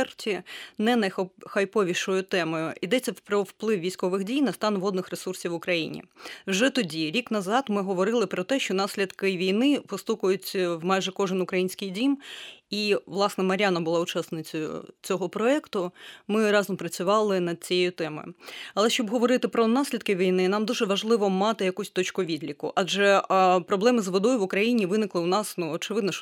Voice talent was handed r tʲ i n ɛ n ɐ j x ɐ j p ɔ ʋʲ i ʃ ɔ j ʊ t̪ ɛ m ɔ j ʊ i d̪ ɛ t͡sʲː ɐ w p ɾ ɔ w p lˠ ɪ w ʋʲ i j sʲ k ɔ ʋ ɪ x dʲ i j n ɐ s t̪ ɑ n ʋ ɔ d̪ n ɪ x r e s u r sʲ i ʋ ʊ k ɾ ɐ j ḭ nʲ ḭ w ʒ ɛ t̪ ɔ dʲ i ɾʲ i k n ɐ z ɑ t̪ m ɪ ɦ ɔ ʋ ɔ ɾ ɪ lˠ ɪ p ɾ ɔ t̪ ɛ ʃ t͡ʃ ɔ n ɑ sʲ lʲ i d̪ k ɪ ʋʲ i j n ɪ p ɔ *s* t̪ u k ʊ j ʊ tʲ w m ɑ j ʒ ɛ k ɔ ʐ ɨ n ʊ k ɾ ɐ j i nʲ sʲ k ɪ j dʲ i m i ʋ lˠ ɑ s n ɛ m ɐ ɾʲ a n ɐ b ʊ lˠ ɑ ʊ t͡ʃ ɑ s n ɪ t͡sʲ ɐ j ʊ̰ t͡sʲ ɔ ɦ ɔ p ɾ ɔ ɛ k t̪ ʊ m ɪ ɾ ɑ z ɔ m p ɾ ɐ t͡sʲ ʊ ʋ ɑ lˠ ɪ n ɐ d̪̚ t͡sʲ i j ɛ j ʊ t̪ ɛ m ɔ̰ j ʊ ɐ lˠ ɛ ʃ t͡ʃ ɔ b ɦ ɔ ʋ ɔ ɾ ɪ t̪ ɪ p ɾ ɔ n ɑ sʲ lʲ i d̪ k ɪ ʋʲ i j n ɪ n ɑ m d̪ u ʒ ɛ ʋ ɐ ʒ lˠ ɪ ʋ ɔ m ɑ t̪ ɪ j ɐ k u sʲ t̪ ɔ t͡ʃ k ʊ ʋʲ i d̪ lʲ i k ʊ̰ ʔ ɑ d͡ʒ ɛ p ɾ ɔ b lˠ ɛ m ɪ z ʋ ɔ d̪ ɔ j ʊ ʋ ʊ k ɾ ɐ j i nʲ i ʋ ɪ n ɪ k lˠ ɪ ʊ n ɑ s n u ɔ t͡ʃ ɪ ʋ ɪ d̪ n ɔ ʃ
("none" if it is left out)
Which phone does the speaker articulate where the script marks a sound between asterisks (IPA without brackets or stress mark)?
s